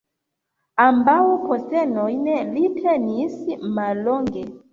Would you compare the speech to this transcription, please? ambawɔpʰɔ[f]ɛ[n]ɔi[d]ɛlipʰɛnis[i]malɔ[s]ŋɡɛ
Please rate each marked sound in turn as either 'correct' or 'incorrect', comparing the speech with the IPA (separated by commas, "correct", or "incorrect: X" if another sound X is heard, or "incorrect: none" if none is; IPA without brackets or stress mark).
incorrect: s, correct, incorrect: n, correct, incorrect: none